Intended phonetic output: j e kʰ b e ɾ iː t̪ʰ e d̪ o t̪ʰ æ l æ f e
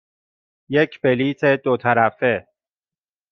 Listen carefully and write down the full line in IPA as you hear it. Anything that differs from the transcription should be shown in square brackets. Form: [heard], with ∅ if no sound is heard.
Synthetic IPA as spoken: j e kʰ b e [l] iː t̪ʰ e d̪ o t̪ʰ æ [ɾ] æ f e